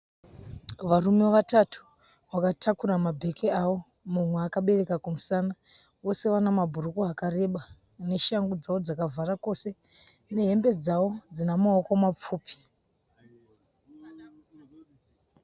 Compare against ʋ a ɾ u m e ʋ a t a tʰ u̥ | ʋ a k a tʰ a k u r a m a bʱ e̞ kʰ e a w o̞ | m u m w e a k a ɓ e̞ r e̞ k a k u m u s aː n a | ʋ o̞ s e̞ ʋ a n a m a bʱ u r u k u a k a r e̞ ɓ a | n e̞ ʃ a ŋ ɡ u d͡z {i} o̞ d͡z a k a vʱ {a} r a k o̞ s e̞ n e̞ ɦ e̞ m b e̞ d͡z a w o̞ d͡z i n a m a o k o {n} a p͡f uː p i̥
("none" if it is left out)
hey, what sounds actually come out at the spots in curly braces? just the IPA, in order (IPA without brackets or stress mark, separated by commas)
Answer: a, a, m